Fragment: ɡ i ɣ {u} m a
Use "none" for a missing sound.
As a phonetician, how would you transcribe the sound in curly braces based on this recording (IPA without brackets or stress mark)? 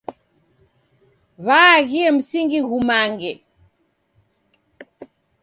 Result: u